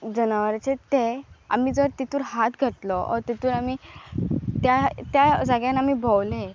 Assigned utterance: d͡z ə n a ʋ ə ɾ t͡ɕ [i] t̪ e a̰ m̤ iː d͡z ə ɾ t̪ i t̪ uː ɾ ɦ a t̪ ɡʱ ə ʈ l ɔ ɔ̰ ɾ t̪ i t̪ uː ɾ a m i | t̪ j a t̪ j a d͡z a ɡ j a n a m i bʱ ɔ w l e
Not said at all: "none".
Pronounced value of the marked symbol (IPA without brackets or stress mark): e